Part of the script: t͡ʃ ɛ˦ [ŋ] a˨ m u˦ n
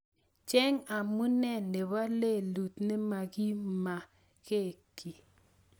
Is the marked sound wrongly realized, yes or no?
no